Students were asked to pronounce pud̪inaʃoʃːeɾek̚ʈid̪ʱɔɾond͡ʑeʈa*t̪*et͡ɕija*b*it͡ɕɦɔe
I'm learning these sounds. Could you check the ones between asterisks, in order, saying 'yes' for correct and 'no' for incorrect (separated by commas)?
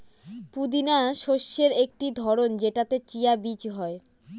yes, yes